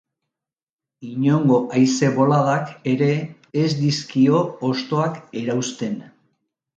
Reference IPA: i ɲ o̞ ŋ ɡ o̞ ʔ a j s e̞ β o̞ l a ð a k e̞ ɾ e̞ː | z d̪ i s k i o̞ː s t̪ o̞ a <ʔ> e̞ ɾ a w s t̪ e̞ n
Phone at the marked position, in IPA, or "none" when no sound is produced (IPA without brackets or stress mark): k